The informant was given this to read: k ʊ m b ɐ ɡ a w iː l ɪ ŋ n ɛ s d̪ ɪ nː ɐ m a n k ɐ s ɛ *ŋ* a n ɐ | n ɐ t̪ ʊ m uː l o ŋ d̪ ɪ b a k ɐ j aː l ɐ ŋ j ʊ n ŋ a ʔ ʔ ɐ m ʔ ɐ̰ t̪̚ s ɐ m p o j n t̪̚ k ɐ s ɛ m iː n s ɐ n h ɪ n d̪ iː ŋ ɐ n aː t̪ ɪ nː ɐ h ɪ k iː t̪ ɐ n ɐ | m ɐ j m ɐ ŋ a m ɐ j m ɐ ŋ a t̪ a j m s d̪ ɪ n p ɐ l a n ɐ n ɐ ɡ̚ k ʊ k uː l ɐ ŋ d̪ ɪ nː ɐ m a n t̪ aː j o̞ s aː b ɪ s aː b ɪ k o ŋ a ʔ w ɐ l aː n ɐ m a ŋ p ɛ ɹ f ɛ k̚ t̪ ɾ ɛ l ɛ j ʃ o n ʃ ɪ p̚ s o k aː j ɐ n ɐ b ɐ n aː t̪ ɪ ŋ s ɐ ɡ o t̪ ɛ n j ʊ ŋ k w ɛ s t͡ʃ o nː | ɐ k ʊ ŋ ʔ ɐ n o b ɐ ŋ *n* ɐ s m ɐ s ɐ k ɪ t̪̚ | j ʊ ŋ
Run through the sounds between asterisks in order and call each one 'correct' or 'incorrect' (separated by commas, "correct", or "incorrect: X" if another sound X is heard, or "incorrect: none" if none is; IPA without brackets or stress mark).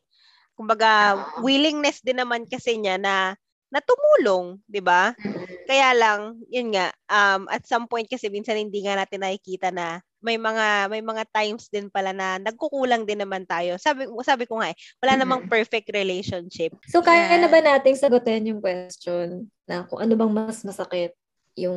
incorrect: ɲ, incorrect: m